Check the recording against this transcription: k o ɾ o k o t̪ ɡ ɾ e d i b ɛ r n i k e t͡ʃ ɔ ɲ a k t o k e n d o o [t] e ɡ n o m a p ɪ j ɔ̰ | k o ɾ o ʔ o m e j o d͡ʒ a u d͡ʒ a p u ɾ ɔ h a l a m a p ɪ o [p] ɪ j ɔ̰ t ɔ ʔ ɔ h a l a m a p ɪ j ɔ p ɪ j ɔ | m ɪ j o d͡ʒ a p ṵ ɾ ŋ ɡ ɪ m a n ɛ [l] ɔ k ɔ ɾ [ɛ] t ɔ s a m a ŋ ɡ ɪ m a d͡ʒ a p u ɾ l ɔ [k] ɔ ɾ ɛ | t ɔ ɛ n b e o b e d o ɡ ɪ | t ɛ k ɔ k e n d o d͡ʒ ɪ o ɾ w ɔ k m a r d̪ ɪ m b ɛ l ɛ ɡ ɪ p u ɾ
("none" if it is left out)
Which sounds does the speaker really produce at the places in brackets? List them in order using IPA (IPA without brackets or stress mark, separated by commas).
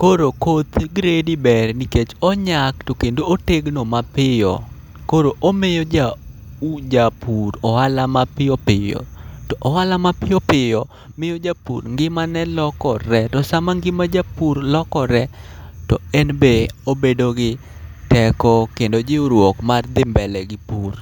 t, p, l, ɛ, k